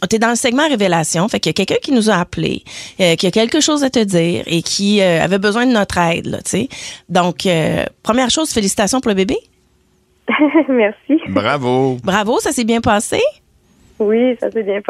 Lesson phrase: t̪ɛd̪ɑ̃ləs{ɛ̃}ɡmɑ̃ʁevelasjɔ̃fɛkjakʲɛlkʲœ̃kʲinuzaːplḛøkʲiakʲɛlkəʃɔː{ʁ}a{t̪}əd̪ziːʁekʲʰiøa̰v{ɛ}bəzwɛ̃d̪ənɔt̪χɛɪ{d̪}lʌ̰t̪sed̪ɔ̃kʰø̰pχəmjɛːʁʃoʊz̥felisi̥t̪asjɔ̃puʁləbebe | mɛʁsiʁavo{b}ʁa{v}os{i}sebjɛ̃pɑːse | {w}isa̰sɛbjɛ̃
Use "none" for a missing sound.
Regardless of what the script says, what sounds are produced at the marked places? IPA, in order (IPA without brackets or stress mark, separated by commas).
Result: ɛ, z, t̪, ɛ, d̪, b, v, a, w